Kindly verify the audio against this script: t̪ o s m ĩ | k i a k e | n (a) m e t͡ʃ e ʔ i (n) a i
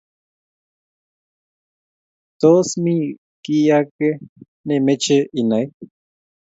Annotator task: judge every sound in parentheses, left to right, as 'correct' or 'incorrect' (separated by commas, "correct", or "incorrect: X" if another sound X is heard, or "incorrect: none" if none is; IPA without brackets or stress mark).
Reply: incorrect: e, correct